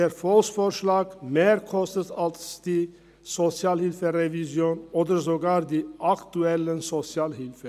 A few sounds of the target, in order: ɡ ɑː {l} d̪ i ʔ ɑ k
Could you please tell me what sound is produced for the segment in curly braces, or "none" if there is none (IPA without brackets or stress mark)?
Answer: ɾ